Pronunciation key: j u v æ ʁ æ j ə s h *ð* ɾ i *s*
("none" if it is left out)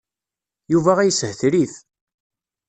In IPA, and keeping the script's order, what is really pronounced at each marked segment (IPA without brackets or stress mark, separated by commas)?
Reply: θ, θ